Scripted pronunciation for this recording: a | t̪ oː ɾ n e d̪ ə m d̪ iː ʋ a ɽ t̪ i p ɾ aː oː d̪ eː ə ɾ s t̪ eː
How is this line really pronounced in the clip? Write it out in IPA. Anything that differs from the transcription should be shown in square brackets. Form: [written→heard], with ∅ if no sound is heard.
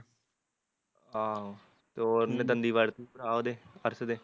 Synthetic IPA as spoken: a | t̪ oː ɾ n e d̪ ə [m→n] d̪ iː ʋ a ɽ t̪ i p ɾ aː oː d̪ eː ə ɾ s [t̪→d̪] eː